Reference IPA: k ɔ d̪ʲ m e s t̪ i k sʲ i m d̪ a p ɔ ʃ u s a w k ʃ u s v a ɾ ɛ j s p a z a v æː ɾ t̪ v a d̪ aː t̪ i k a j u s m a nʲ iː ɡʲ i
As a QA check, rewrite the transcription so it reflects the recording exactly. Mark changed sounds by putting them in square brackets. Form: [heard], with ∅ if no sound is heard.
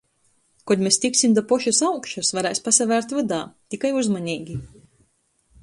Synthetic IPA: k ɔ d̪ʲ m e s t̪ i k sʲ i m d̪ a p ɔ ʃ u s a w k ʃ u s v a ɾ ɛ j s p a [s] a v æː ɾ t̪ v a d̪ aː t̪ i k a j u [z] m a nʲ iː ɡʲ i